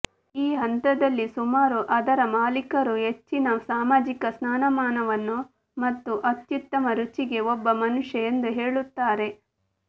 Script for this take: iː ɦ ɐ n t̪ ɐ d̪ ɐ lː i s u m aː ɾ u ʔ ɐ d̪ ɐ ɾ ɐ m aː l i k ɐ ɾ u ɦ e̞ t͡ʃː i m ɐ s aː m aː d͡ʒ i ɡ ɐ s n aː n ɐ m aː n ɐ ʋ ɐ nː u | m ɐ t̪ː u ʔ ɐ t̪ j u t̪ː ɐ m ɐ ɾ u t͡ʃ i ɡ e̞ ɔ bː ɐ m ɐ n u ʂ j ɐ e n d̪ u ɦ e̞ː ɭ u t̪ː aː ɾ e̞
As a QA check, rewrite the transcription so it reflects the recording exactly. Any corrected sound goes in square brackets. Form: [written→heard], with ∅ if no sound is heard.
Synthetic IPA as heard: iː ɦ ɐ n t̪ ɐ d̪ ɐ lː i s u m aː ɾ u ʔ ɐ d̪ ɐ ɾ ɐ m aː l i k ɐ ɾ u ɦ e̞ t͡ʃː i [m→n] ɐ s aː m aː d͡ʒ i [ɡ→k] ɐ s n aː n ɐ m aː n ɐ ʋ ɐ nː u | m ɐ t̪ː u ʔ ɐ t̪ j u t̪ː ɐ m ɐ ɾ u t͡ʃ i ɡ e̞ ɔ bː ɐ m ɐ n u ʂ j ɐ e n d̪ u ɦ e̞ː ɭ u t̪ː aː ɾ e̞

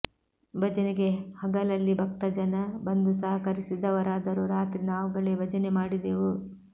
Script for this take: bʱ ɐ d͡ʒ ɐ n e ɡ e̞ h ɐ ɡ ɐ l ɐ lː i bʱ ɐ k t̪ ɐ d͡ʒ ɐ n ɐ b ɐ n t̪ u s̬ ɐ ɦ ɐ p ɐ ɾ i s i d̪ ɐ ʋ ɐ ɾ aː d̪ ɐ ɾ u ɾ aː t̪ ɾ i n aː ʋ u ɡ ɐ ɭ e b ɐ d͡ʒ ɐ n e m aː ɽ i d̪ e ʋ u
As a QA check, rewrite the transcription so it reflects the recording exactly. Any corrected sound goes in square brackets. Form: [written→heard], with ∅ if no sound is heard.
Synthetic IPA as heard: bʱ ɐ d͡ʒ ɐ n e ɡ e̞ h ɐ ɡ ɐ l ɐ lː i bʱ ɐ k t̪ ɐ d͡ʒ ɐ n ɐ b ɐ n [t̪→d̪] u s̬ ɐ ɦ ɐ [p→k] ɐ ɾ i s i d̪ ɐ ʋ ɐ ɾ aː d̪ ɐ ɾ u ɾ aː t̪ ɾ i n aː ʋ u ɡ ɐ ɭ e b ɐ d͡ʒ ɐ n e m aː ɽ i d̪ e ʋ u

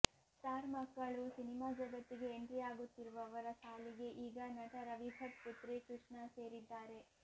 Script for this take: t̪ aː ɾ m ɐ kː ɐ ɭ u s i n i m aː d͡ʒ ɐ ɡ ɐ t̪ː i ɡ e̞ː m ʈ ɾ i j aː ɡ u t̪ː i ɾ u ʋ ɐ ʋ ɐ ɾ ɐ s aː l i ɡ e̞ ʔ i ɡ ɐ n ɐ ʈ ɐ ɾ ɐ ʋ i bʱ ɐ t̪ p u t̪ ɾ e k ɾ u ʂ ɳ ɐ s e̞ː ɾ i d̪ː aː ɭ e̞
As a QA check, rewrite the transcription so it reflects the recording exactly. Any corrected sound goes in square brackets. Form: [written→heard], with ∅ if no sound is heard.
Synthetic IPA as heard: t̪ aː ɾ m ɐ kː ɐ ɭ u s i n i m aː d͡ʒ ɐ ɡ ɐ t̪ː i ɡ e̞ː [m→ɳ] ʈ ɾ i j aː ɡ u t̪ː i ɾ u ʋ ɐ ʋ ɐ ɾ ɐ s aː l i ɡ e̞ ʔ [i→iː] ɡ ɐ n ɐ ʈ ɐ ɾ ɐ ʋ i bʱ ɐ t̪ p u t̪ ɾ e k ɾ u ʂ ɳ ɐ s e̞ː ɾ i d̪ː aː [ɭ→ɾ] e̞

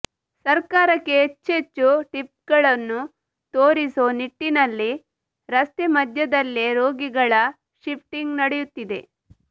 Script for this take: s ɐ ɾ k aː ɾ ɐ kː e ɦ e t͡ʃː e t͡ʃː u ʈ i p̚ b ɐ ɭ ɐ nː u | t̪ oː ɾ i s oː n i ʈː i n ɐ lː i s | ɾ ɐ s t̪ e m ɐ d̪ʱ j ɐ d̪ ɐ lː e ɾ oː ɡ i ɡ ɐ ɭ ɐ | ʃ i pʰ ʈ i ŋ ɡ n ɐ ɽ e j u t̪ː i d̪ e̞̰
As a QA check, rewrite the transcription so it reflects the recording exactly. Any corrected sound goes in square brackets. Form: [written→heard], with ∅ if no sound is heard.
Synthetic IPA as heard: s ɐ ɾ k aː ɾ ɐ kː e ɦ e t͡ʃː e t͡ʃː u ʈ i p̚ [b→ɡ] ɐ ɭ ɐ nː u | t̪ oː ɾ i s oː n i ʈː i n ɐ lː i [s→∅] | ɾ ɐ s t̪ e m ɐ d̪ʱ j ɐ d̪ ɐ lː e ɾ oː ɡ i ɡ ɐ ɭ ɐ | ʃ i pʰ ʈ i ŋ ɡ n ɐ ɽ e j u t̪ː i d̪ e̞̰

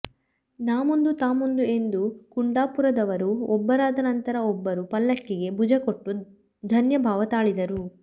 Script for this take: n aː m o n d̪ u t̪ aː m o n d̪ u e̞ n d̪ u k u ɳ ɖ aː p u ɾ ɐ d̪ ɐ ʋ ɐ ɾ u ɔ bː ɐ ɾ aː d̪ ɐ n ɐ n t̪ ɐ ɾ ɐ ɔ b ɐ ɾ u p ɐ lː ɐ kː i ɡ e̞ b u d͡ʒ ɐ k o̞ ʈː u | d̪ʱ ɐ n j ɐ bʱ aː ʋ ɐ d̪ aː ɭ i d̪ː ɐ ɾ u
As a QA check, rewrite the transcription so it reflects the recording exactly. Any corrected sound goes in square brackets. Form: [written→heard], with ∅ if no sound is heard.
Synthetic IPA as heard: n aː m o n d̪ u t̪ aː m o n d̪ u e̞ n d̪ u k u ɳ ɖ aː p u ɾ ɐ d̪ ɐ ʋ ɐ ɾ u ɔ bː ɐ ɾ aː d̪ ɐ n ɐ n t̪ ɐ ɾ ɐ ɔ [b→bː] ɐ ɾ u p ɐ lː ɐ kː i ɡ e̞ b u d͡ʒ ɐ k o̞ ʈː u | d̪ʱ ɐ n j ɐ bʱ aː ʋ ɐ [d̪→t̪] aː ɭ i [d̪ː→d̪] ɐ ɾ u

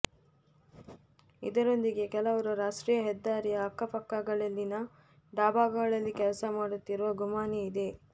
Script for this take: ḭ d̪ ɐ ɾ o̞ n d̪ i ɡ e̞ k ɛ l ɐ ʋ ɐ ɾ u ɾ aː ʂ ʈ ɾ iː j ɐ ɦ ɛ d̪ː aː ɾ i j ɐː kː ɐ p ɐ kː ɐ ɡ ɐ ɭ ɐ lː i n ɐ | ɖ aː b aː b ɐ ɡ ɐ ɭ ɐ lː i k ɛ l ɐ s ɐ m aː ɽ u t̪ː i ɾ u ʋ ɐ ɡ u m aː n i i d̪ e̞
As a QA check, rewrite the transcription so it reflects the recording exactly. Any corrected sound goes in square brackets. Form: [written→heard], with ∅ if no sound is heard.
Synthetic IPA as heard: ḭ d̪ ɐ ɾ o̞ n d̪ i ɡ e̞ k ɛ l ɐ ʋ ɐ ɾ u ɾ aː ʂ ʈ ɾ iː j ɐ ɦ ɛ d̪ː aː ɾ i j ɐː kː ɐ p ɐ kː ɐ ɡ ɐ ɭ ɐ lː i n ɐ | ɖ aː b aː [b→ɡ] ɐ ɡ ɐ ɭ ɐ lː i k ɛ l ɐ s ɐ m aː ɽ u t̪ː i ɾ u ʋ ɐ ɡ u m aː n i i d̪ e̞

